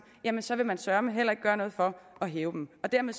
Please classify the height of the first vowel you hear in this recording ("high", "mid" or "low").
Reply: low